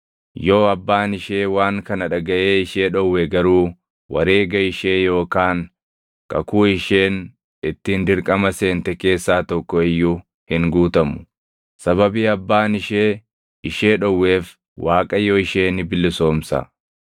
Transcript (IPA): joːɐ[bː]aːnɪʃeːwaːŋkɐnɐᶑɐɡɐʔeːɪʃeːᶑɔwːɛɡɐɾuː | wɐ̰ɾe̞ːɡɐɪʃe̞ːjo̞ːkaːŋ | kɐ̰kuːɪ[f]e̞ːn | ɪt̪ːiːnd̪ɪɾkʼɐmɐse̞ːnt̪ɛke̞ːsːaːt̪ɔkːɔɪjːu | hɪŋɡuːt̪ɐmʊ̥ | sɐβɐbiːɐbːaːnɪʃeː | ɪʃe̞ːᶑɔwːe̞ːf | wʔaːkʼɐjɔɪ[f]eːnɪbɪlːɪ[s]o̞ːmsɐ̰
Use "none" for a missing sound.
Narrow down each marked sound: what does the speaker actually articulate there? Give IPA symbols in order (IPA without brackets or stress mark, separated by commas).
bː, ʃ, ʃ, s